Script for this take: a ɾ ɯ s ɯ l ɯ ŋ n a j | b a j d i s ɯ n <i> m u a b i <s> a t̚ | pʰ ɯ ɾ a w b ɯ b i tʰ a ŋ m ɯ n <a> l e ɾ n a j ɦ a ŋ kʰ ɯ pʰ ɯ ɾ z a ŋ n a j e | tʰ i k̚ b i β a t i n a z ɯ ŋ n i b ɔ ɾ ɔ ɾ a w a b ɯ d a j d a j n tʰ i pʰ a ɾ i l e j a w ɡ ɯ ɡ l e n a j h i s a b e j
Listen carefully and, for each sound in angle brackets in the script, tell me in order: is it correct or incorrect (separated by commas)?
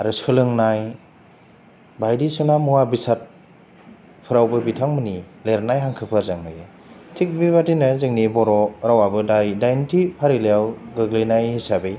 incorrect, correct, incorrect